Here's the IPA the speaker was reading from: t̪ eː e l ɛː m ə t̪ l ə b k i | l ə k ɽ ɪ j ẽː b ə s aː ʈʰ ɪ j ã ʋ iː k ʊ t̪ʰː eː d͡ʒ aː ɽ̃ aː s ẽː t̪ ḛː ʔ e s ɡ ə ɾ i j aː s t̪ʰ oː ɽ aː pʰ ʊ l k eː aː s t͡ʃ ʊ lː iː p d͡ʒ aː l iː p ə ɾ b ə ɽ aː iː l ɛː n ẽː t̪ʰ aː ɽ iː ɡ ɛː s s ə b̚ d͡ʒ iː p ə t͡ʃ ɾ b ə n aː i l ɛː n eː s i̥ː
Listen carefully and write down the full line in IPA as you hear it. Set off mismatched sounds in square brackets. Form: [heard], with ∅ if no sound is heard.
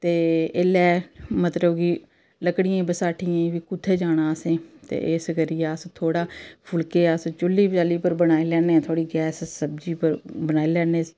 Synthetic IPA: t̪ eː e l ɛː m ə t̪ l ə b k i | l ə k ɽ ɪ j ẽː b ə s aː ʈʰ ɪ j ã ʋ iː k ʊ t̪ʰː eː d͡ʒ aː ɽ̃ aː s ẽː t̪ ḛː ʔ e s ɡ ə ɾ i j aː s t̪ʰ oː ɽ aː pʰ ʊ l k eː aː s t͡ʃ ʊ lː iː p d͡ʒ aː l iː p ə ɾ b ə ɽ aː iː l ɛː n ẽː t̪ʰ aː ɽ iː ɡ ɛː s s ə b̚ d͡ʒ iː p ə [∅] ɾ b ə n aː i l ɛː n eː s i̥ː